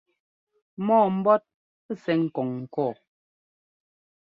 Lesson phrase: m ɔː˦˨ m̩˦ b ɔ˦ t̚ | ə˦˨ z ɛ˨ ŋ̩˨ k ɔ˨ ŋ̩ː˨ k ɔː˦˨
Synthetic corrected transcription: m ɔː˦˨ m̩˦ b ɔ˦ t̚ | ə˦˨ s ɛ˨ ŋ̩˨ k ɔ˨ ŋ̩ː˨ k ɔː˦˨